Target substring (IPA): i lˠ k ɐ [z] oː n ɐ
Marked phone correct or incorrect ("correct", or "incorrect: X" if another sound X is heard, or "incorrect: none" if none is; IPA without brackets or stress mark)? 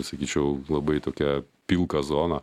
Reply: correct